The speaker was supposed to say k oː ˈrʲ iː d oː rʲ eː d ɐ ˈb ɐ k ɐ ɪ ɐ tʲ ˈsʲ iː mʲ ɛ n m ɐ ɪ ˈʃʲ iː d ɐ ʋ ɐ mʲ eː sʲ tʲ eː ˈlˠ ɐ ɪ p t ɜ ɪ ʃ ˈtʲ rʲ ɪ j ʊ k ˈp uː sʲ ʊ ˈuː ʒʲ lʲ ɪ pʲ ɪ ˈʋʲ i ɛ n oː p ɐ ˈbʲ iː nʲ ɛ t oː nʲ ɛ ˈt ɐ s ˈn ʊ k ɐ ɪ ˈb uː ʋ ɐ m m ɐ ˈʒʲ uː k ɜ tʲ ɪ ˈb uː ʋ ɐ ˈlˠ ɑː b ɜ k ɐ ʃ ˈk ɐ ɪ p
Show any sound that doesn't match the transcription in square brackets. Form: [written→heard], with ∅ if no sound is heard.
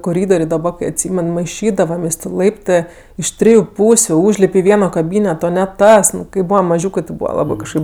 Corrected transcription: k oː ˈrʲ iː d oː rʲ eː d ɐ ˈb ɐ k ɐ ɪ ɐ tʲ ˈsʲ iː mʲ ɛ n m ɐ ɪ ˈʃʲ iː d ɐ ʋ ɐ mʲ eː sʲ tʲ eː ˈlˠ ɐ ɪ p t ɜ ɪ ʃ ˈtʲ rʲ ɪ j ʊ [k→∅] ˈp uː sʲ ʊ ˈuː ʒʲ lʲ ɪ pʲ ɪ ˈʋʲ i ɛ n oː [p→k] ɐ ˈbʲ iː nʲ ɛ t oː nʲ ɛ ˈt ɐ s ˈn ʊ k ɐ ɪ ˈb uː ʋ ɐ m m ɐ ˈʒʲ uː k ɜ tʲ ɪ ˈb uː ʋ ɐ ˈlˠ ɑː b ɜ k ɐ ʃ ˈk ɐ ɪ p